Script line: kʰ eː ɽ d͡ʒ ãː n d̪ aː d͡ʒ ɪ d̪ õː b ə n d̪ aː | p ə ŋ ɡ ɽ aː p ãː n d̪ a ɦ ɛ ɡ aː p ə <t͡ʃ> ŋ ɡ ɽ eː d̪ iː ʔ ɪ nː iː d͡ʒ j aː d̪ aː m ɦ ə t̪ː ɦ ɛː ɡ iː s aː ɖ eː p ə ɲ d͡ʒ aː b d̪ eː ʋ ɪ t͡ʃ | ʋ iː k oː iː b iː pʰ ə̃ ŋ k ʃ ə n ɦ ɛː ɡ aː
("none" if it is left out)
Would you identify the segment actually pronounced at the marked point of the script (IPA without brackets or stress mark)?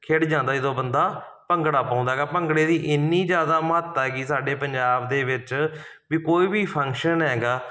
none